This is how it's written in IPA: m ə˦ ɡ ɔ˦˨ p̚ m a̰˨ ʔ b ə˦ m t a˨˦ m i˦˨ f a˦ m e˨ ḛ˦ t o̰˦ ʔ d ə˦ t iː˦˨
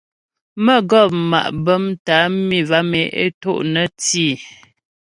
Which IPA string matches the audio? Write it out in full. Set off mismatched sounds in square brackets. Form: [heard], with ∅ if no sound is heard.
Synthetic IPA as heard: m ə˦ ɡ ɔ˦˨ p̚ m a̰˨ ʔ b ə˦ m t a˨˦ m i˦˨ [v] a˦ m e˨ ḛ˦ t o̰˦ ʔ [n] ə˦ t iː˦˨